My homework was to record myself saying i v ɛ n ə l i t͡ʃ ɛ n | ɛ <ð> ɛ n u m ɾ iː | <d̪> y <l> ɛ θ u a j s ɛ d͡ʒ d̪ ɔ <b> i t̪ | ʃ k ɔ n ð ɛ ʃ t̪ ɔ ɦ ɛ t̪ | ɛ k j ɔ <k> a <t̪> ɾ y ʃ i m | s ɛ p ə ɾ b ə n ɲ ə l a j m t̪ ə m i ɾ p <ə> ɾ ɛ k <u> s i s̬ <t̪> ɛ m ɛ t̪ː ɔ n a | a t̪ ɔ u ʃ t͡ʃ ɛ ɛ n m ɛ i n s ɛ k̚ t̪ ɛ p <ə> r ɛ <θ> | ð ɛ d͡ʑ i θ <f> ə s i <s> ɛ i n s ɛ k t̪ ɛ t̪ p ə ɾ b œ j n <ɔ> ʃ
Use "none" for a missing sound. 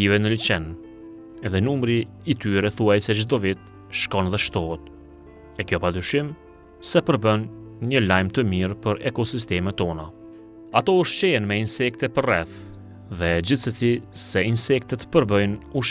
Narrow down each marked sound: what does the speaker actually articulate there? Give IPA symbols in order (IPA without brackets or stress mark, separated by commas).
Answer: ð, t̪, ɾ, v, p, d̪, ə, ɔ, t̪, ə, θ, s, s, u